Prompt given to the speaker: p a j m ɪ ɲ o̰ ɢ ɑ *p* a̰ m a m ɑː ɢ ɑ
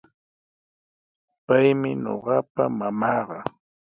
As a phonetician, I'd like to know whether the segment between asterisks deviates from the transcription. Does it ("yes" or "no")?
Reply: no